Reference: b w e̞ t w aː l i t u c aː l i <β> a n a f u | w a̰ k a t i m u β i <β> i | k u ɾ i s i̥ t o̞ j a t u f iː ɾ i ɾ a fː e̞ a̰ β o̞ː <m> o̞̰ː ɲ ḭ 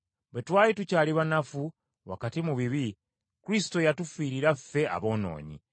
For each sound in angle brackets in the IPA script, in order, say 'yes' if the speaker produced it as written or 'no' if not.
yes, yes, no

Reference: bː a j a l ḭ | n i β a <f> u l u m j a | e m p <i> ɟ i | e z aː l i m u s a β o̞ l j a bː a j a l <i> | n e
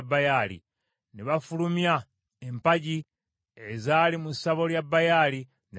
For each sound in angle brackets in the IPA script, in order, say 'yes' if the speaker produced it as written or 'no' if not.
yes, no, yes

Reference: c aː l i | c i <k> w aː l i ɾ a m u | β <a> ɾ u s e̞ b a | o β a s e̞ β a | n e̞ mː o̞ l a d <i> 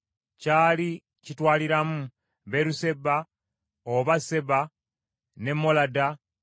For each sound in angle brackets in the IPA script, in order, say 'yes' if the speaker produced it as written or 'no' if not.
no, no, no

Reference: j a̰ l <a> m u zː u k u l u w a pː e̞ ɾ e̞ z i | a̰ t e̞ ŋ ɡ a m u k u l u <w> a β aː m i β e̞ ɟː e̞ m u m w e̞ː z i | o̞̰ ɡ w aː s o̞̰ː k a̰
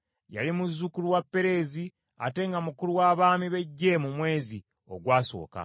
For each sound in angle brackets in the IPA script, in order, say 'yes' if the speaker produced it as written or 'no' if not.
no, yes

